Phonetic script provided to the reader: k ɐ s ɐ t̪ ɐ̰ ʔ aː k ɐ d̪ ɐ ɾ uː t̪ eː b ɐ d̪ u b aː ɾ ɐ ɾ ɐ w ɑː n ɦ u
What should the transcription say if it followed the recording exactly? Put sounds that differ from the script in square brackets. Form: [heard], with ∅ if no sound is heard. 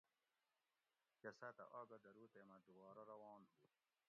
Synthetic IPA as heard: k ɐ s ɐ t̪ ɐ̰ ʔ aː [ɡ] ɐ d̪ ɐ ɾ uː t̪ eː [m] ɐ d̪ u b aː ɾ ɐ ɾ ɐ w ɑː n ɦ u

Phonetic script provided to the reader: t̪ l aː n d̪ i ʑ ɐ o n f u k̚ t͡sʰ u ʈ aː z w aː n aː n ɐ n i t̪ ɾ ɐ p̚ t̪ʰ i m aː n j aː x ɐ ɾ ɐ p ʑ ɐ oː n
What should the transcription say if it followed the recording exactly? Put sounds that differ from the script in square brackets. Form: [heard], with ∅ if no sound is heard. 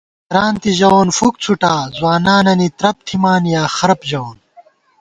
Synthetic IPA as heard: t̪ [ɾ] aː n [t̪] i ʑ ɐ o n f u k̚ t͡sʰ u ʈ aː z w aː n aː n ɐ n i t̪ ɾ ɐ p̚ t̪ʰ i m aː n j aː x ɐ ɾ ɐ p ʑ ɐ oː n

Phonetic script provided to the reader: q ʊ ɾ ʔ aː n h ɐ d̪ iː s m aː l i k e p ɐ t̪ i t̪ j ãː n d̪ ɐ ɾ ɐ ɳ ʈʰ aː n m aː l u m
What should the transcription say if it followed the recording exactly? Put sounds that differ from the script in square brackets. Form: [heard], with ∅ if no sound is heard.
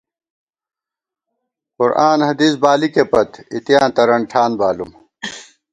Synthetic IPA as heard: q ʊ ɾ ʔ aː n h ɐ d̪ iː s [b] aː l i k e p ɐ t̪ i t̪ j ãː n [t̪] ɐ ɾ ɐ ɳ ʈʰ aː n [b] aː l u m

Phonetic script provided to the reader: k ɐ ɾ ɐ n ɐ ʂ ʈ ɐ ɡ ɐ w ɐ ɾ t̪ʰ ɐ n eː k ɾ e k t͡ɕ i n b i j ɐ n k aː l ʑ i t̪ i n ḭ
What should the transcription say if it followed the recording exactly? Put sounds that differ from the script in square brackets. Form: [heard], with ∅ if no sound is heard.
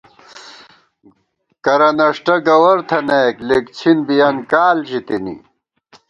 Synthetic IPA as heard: k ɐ ɾ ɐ n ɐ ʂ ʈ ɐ ɡ ɐ w ɐ ɾ t̪ʰ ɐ n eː k [l] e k [t͡ɕʰ] i n b i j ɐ n k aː l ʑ i t̪ i n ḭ

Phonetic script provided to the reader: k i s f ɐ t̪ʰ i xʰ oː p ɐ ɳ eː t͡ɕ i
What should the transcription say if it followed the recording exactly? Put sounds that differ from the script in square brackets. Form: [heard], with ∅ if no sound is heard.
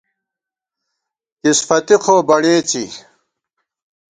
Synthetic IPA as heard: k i s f ɐ [t̪] i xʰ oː [b] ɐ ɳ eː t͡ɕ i

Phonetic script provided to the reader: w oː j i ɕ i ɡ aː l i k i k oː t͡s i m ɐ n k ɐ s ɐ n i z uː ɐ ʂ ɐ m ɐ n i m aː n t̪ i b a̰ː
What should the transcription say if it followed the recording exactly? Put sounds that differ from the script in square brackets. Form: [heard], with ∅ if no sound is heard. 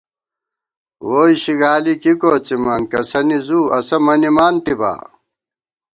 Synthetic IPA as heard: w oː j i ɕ i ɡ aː l i k i k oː t͡s i m ɐ n k ɐ s ɐ n i z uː ɐ [s] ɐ m ɐ n i m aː n t̪ i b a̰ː

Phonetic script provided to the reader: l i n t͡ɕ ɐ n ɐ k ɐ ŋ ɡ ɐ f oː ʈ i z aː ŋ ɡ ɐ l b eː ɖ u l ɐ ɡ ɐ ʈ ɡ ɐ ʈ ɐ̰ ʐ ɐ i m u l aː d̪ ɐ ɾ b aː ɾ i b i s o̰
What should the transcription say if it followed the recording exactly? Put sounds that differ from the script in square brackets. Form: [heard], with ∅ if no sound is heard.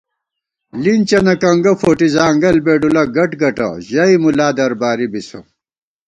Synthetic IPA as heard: l i n t͡ɕ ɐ n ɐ k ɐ ŋ ɡ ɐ f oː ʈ i z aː ŋ ɡ ɐ l b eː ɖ u l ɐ ɡ ɐ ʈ ɡ ɐ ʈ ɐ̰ [ʑ] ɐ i m u l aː d̪ ɐ ɾ b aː ɾ i b i s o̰

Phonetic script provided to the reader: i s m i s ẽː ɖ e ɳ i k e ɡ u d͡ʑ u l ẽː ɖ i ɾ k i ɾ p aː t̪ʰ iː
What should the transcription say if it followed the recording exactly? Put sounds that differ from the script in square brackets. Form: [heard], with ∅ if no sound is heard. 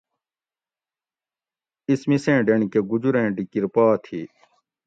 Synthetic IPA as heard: i s m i s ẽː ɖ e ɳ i k e ɡ u d͡ʑ u [ɾ] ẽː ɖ i [∅] k i ɾ p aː t̪ʰ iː

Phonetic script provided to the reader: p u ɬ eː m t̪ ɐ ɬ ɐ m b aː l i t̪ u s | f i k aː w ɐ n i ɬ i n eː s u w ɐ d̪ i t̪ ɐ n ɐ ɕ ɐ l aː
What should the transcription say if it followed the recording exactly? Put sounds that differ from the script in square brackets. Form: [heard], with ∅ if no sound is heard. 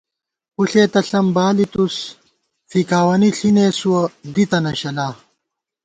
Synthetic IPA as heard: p u ɬ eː [∅] t̪ ɐ ɬ ɐ m b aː l i t̪ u s | f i k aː w ɐ n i ɬ i n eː s u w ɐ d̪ i t̪ ɐ n ɐ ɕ ɐ l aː

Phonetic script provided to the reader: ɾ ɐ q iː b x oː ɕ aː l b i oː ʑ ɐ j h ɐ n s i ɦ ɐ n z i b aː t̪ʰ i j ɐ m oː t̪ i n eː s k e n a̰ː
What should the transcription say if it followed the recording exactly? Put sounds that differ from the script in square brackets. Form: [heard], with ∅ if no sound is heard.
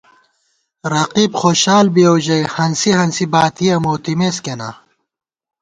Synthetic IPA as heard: ɾ ɐ q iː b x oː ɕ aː l b i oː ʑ ɐ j h ɐ n s i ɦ ɐ n [s] i b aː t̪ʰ i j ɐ m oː t̪ i [m] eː s k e n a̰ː

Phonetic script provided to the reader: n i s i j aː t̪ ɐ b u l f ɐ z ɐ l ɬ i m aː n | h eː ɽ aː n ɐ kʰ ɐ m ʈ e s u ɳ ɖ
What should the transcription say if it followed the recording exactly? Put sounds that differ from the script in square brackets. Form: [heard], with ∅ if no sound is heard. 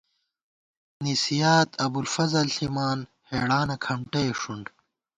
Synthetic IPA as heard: n i s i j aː t̪ ɐ b u l f ɐ z ɐ l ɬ i m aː n | h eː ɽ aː n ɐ kʰ ɐ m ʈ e [ʂ] u ɳ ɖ

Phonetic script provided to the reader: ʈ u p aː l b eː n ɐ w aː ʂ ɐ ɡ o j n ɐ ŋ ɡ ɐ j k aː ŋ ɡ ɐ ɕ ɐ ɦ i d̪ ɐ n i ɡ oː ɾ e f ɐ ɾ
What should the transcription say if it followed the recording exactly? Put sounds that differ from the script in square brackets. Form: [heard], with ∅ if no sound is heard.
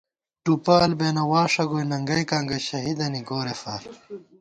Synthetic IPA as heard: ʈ u p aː l b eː n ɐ w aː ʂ ɐ ɡ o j n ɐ ŋ ɡ ɐ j k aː ŋ ɡ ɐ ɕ ɐ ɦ i d̪ ɐ n i ɡ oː ɾ e f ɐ ɾ

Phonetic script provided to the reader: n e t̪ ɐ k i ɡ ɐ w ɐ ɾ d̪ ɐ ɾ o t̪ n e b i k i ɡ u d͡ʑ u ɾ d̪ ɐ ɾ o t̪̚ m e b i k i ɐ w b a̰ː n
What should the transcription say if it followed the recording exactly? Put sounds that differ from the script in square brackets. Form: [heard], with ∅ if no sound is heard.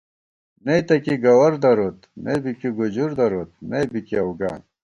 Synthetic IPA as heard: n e t̪ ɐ k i ɡ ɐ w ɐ ɾ d̪ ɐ ɾ o t̪ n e b i k i ɡ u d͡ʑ u ɾ d̪ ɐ ɾ o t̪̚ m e b i k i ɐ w [ɡ] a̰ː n

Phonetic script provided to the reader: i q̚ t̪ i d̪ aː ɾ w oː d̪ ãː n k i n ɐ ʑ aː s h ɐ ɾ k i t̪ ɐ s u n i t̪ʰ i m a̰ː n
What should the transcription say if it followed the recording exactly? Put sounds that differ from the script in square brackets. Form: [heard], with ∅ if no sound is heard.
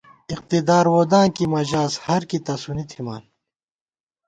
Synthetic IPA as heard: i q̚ t̪ i d̪ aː ɾ w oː d̪ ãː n k i [m] ɐ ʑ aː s h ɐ ɾ k i t̪ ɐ s u n i t̪ʰ i m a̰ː n

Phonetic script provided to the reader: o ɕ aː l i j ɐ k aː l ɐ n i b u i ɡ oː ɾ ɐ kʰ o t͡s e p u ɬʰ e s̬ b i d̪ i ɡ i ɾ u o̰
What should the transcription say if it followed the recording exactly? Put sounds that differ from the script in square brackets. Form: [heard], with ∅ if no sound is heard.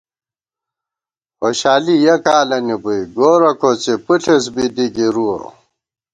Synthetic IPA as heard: o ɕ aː l i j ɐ k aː l ɐ n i b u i ɡ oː ɾ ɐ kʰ o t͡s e p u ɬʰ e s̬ b i d̪ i ɡ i ɾ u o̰

